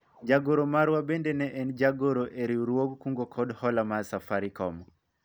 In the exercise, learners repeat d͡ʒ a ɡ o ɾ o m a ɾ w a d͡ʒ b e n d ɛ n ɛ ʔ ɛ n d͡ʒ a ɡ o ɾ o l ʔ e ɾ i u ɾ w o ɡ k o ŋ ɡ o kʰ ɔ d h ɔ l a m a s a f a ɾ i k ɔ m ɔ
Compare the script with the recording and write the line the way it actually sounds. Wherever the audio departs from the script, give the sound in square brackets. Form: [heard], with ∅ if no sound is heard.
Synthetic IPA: d͡ʒ a ɡ o ɾ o m a ɾ w a [∅] b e n d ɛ n ɛ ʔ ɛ n d͡ʒ a ɡ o ɾ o [∅] ʔ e ɾ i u ɾ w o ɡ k [u] ŋ ɡ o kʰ ɔ d h ɔ l a m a s a f a ɾ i k ɔ m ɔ